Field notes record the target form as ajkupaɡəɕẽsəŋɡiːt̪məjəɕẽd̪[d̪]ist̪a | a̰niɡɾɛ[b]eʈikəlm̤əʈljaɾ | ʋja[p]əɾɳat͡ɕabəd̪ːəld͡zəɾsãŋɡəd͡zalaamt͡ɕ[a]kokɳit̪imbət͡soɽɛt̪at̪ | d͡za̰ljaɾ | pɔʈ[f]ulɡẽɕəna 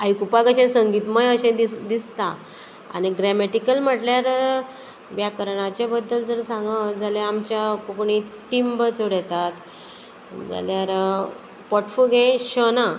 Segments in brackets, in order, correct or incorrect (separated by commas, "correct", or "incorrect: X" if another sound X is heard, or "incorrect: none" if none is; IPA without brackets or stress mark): correct, incorrect: m, incorrect: k, correct, correct